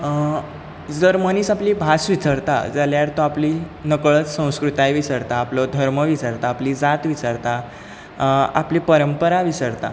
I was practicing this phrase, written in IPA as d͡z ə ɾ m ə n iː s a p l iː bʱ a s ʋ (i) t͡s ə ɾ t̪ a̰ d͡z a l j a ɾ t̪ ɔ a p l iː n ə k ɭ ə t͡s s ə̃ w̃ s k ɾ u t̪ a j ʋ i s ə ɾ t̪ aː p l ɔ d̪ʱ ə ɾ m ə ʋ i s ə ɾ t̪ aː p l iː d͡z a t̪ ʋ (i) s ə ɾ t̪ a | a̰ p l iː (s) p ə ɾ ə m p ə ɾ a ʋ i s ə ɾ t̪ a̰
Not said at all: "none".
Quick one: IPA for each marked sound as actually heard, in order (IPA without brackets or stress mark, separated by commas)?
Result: i, i, none